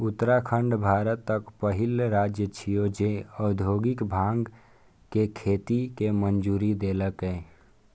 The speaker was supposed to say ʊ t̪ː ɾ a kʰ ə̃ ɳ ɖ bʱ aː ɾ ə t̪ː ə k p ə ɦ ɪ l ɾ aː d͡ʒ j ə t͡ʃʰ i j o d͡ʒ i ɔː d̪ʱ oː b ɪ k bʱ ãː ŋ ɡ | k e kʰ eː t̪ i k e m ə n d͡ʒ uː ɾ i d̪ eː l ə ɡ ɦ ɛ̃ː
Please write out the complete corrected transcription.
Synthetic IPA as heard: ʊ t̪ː ɾ a kʰ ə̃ ɳ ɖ bʱ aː ɾ ə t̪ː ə k p ə ɦ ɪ l ɾ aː d͡ʒ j ə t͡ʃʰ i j o d͡ʒ e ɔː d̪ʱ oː ɡ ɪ k bʱ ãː ŋ ɡ | k e kʰ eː t̪ i k e m ə n d͡ʒ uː ɾ i d̪ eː l ə k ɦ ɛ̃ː

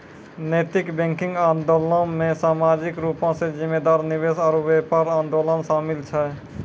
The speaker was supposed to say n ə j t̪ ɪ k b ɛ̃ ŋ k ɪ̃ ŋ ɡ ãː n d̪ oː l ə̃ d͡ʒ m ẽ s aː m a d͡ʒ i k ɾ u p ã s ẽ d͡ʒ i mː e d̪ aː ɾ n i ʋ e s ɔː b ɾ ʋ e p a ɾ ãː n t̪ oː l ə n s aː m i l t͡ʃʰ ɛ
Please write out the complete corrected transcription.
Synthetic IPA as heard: n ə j t̪ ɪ k b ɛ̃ ŋ k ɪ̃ ŋ ɡ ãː n d̪ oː l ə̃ m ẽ s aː m a d͡ʒ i k ɾ u p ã s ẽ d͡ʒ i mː e d̪ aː ɾ n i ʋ e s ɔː ɾ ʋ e p a ɾ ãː n d̪ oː l ə n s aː m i l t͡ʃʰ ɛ

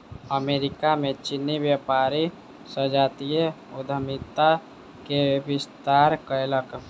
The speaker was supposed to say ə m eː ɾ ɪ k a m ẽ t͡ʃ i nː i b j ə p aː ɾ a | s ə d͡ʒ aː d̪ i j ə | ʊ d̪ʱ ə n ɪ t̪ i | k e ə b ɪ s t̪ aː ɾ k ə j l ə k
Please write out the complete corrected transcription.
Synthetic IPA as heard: ə m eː ɾ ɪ k a m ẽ t͡ʃ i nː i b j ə p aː ɾ i | s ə d͡ʒ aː t̪ i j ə | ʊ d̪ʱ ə m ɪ t̪ a | k e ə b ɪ s t̪ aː ɾ k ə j l ə k

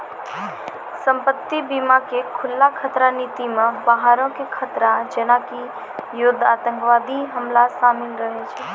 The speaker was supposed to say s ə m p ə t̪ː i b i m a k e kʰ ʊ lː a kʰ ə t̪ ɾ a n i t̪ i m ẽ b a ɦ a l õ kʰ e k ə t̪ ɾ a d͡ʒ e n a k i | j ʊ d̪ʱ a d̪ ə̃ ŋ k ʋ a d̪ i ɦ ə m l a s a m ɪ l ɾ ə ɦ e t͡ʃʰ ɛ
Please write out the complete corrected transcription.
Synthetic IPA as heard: s ə m p ə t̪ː i b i m a k e kʰ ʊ lː a kʰ ə t̪ ɾ a n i t̪ i m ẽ b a ɦ a ɾ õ k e kʰ ə t̪ ɾ a d͡ʒ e n a k i | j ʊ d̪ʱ a t̪ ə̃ ŋ k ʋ a d̪ i ɦ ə m l a s a m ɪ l ɾ ə ɦ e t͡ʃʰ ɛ

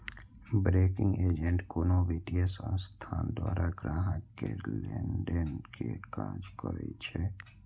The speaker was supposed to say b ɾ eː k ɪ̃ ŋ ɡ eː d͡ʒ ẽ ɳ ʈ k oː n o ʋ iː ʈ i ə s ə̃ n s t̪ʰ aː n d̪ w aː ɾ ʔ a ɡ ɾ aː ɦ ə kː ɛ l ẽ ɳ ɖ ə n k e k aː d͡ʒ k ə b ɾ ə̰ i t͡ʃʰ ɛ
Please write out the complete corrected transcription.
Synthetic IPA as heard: b ɾ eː k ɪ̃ ŋ ɡ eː d͡ʒ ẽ ɳ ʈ k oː n o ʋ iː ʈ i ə s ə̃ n s t̪ʰ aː n d̪ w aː ɾ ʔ a ɡ ɾ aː ɦ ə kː e l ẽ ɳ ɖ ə n k e k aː d͡ʒ k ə ɾ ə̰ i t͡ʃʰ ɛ

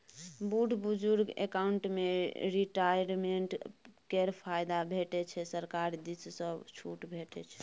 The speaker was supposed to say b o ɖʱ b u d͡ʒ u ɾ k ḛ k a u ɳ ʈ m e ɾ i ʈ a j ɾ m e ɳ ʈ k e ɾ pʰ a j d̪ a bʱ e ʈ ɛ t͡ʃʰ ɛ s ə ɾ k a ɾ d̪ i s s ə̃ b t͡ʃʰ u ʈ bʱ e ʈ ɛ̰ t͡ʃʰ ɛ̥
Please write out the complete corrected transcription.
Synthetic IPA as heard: b u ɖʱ b u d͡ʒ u ɾ ɡ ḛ k a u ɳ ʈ m e ɾ i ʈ a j ɾ m e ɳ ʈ k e ɾ pʰ a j d̪ a bʱ e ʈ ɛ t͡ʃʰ ɛ s ə ɾ k a ɾ d̪ i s s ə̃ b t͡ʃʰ u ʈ bʱ e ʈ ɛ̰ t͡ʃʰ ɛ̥

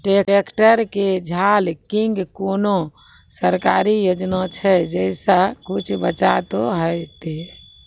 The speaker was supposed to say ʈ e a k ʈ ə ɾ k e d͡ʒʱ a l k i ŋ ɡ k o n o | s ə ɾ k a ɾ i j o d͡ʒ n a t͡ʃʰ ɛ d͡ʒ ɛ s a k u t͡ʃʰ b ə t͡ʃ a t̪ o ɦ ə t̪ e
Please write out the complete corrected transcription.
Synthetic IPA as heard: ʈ e e k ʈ ə ɾ k e d͡ʒʱ a l k i ŋ ɡ k o n o | s ə ɾ k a ɾ i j o d͡ʒ n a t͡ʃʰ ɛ d͡ʒ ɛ s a k u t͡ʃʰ b ə t͡ʃ a t̪ o ɦ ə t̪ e

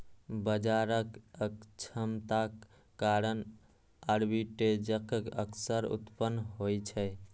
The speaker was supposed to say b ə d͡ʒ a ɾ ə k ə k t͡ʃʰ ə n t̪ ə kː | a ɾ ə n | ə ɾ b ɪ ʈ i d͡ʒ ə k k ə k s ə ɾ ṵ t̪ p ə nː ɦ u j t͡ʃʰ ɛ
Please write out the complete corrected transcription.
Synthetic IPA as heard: b ə d͡ʒ a ɾ ə k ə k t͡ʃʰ ə m t̪ a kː | a ɾ ə n | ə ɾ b i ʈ e d͡ʒ ə k k ə k s ə ɾ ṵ t̪ p ə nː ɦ o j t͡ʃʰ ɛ

